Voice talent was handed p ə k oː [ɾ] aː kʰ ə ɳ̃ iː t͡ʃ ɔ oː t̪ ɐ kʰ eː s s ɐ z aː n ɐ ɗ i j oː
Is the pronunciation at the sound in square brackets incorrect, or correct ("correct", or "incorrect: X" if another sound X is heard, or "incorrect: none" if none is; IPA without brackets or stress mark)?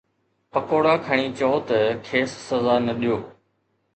incorrect: ɽ